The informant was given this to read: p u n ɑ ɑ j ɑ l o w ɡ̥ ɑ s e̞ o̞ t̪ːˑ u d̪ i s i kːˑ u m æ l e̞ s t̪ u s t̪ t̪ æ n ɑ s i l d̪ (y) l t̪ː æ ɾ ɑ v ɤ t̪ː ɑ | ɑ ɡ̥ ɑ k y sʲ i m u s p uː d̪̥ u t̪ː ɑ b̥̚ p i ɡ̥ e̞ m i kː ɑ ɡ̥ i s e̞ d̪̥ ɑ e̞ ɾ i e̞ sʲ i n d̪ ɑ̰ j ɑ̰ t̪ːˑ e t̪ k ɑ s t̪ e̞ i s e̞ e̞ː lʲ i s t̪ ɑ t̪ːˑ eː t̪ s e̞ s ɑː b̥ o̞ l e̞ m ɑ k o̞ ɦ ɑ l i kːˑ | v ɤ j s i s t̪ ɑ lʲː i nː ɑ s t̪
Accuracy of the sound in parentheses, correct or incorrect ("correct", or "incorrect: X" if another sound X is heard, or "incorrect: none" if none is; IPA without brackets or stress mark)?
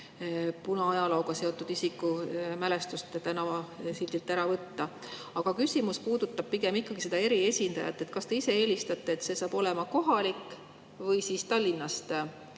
incorrect: i